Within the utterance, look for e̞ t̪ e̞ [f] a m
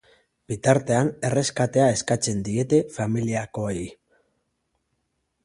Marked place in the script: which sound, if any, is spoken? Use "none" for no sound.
f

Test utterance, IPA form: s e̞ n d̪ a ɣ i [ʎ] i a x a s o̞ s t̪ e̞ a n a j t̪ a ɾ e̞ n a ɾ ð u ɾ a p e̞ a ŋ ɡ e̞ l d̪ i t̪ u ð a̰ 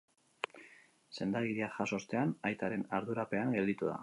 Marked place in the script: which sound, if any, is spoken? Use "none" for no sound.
ɾ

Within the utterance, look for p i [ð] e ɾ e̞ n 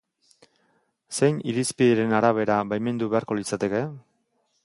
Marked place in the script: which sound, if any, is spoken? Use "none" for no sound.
ð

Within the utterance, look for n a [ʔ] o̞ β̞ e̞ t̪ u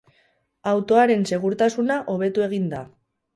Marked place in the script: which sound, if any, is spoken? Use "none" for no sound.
ʔ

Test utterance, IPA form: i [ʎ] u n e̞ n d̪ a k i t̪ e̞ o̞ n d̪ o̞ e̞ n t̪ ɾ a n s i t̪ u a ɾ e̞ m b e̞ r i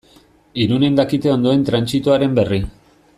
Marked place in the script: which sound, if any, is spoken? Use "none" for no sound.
ɾ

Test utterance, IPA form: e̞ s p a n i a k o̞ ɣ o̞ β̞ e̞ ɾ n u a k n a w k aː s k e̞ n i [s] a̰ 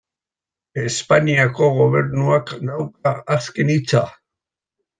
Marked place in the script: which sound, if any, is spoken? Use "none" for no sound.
t͡s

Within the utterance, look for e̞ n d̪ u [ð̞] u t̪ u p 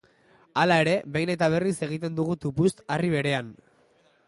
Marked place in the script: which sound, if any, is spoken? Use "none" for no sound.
ɣ̞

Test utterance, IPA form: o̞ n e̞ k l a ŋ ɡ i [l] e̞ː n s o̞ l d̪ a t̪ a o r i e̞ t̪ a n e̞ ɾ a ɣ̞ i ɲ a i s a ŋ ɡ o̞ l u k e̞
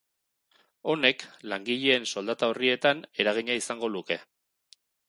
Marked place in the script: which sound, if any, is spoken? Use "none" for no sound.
ʎ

